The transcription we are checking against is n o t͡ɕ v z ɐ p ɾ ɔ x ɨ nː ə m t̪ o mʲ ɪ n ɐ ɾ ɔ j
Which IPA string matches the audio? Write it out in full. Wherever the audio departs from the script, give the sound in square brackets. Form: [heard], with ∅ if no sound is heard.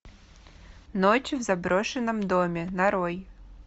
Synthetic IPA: n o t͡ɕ v z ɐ [b] ɾ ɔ [ʂ] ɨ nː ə m [d̪] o mʲ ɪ n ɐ ɾ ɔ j